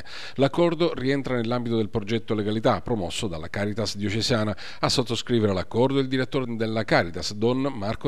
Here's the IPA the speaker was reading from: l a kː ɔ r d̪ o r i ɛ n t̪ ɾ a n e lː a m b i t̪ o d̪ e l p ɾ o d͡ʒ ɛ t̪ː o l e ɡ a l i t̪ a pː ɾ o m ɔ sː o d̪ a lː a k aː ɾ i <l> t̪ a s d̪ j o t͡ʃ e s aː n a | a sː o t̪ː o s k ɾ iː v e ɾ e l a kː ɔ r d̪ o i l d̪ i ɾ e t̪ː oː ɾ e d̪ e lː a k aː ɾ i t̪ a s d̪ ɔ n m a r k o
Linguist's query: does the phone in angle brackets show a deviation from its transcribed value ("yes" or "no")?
yes